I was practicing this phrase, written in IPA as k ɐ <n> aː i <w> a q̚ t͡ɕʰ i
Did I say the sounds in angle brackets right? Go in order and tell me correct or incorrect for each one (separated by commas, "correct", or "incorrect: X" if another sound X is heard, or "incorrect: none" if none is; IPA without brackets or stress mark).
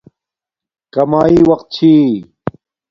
incorrect: m, correct